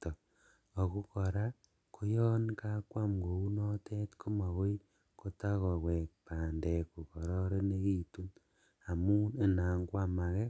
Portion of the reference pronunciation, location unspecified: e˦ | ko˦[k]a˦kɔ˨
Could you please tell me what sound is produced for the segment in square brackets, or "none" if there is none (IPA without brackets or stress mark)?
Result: t